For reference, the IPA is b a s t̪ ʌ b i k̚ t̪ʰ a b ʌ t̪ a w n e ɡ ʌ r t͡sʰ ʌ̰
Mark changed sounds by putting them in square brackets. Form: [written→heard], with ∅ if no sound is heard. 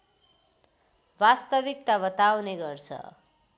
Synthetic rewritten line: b a s t̪ ʌ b i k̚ [t̪ʰ→t̪] a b ʌ t̪ a w n e ɡ ʌ r t͡sʰ ʌ̰

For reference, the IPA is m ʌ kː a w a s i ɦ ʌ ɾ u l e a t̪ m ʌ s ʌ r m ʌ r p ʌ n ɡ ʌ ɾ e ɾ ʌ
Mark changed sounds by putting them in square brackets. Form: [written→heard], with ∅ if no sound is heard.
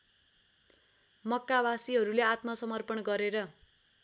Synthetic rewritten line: m ʌ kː a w a s i ɦ ʌ ɾ u l e a t̪ m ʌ s ʌ [r→∅] m ʌ r p ʌ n ɡ ʌ ɾ e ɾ ʌ

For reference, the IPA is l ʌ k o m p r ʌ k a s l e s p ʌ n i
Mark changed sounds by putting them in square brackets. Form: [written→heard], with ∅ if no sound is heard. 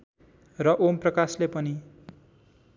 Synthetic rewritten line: [l→r] ʌ [k→ʔ] o m p r ʌ k a s l e [s→∅] p ʌ n i

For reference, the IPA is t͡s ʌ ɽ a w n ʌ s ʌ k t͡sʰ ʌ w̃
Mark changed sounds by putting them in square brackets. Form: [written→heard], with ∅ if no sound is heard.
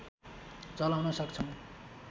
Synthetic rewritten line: t͡s ʌ [ɽ→l] a w n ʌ s ʌ k t͡sʰ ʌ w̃

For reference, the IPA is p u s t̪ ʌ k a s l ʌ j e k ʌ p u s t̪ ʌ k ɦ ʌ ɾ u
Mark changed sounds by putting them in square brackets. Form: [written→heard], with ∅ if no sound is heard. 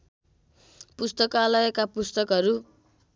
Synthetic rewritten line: p u s t̪ ʌ k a [s→∅] l ʌ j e k [ʌ→a] p u s t̪ ʌ k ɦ ʌ ɾ u

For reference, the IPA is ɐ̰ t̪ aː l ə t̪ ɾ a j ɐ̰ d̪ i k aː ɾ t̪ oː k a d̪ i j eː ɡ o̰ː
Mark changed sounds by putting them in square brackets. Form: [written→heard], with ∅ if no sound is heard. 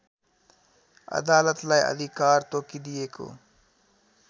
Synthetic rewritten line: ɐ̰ [t̪→d̪] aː l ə t̪ [ɾ→l] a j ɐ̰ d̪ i k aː ɾ t̪ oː k [a→i] d̪ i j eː [ɡ→k] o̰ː

